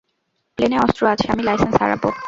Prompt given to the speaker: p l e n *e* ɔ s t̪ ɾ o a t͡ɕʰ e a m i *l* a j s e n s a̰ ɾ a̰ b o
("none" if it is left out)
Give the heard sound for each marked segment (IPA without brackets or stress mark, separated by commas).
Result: e, l